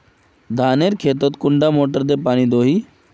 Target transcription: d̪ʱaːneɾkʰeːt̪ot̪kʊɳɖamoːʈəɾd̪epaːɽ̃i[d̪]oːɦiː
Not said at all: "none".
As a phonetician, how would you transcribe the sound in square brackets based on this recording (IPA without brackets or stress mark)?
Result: d̪